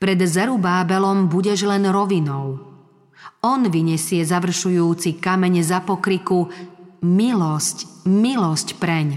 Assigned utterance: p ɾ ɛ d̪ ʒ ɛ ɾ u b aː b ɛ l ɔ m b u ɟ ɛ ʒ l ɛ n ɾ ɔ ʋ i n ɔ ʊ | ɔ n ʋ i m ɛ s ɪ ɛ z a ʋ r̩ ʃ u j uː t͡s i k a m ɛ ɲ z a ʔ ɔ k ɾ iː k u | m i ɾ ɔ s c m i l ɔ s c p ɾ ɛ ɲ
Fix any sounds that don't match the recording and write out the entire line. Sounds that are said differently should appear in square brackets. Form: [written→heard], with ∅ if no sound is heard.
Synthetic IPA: p ɾ ɛ d̪ [ʒ→z] ɛ ɾ u b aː b ɛ l ɔ m b u ɟ ɛ ʒ l ɛ n ɾ ɔ ʋ i n ɔ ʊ | ɔ n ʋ i [m→ɲ] ɛ s ɪ ɛ z a ʋ r̩ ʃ u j uː t͡s i k a m ɛ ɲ z a [ʔ→p] ɔ k ɾ [iː→i] k u | m i [ɾ→l] ɔ s c m i l ɔ s c p ɾ ɛ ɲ